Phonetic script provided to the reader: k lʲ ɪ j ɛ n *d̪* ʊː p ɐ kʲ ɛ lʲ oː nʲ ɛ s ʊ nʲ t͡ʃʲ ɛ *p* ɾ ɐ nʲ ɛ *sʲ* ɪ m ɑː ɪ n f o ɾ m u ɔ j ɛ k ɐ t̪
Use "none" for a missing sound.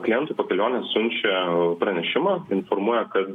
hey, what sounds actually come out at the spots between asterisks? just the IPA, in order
t̪, p, ʃʲ

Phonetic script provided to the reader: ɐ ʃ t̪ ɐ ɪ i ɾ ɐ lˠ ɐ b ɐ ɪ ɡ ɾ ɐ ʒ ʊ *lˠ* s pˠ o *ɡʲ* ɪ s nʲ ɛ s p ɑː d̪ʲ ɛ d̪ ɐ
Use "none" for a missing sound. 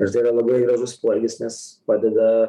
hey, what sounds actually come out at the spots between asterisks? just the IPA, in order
none, ɡʲ

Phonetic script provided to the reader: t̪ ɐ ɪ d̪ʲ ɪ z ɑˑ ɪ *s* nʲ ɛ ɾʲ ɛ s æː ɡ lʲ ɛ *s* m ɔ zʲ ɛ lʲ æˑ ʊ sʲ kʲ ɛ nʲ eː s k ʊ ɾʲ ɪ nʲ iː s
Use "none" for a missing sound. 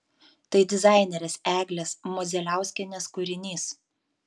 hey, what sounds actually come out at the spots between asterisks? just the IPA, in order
none, s

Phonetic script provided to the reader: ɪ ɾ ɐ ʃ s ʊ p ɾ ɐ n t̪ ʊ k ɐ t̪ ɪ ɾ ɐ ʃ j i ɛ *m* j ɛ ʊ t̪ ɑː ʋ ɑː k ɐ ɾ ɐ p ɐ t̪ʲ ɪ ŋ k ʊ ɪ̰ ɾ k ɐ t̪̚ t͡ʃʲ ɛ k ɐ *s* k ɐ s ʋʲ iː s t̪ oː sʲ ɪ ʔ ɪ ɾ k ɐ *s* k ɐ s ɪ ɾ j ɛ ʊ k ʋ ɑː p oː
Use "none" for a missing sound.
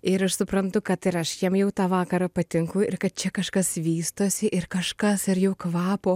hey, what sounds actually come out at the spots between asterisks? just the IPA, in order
m, ʃ, ʃ

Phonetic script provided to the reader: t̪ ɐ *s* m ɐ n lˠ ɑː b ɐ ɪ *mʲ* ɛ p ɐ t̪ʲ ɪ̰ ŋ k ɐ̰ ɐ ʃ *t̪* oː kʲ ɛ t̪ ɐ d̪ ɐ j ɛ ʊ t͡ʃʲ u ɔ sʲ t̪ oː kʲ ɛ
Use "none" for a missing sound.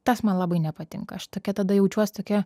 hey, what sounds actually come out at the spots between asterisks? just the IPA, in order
s, nʲ, t̪

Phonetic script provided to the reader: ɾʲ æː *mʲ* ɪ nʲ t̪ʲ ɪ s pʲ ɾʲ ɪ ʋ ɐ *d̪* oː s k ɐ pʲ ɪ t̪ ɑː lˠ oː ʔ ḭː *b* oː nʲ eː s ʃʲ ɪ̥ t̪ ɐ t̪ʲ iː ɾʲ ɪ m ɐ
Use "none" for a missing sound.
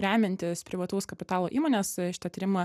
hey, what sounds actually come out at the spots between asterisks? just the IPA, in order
mʲ, t̪, m

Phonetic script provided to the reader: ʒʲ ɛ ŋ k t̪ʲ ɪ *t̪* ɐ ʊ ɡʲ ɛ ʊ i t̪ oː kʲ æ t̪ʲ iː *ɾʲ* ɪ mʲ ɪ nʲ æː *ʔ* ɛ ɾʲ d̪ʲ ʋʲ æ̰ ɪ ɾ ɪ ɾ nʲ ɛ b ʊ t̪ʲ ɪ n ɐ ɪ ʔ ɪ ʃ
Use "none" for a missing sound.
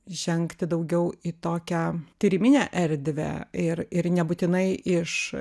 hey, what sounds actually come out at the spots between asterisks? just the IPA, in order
d̪, ɾʲ, ʔ

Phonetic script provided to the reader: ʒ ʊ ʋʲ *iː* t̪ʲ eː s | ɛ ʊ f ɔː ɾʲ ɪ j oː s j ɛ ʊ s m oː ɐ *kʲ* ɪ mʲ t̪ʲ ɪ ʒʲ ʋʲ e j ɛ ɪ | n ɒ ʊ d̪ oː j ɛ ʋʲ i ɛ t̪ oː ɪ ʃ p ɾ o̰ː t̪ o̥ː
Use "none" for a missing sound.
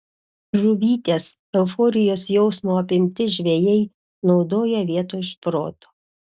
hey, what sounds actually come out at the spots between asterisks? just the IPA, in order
iː, pʲ

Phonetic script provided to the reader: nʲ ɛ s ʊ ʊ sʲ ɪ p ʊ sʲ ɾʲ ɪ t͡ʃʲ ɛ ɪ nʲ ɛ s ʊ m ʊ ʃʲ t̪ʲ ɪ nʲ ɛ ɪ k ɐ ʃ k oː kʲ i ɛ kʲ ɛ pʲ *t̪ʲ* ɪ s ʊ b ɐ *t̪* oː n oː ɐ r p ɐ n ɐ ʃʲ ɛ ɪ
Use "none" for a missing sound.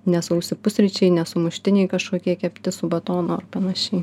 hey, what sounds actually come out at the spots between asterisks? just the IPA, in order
t̪ʲ, t̪

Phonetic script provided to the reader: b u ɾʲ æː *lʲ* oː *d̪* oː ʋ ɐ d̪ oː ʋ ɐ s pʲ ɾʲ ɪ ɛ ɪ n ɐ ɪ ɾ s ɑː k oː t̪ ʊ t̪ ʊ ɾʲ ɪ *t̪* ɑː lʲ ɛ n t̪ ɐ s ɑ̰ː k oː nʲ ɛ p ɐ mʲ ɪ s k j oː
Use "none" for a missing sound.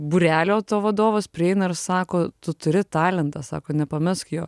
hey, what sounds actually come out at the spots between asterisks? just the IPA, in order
lʲ, t̪, t̪

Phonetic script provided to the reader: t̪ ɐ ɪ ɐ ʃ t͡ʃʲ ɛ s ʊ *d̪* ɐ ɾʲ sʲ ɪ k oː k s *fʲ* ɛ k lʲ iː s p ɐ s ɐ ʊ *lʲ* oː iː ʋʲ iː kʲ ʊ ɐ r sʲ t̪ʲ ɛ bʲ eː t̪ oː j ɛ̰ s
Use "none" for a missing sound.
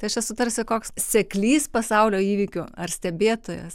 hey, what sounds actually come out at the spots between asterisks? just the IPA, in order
t̪, sʲ, lʲ

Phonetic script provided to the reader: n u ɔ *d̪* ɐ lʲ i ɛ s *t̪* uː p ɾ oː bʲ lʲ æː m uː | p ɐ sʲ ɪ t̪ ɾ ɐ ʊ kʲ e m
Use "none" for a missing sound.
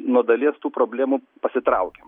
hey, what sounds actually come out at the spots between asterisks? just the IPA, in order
d̪, t̪

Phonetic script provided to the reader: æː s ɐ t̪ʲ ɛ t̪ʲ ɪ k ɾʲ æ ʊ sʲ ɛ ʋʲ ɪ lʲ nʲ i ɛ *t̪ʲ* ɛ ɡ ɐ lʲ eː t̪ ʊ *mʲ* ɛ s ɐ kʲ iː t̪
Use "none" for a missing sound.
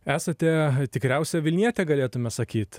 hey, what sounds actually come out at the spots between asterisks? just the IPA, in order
t̪ʲ, mʲ

